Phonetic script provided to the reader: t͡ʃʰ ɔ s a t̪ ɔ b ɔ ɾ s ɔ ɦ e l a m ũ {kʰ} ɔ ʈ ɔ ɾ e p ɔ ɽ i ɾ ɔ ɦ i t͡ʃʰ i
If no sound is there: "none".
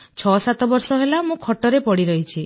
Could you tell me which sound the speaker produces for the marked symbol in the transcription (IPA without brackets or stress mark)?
kʰ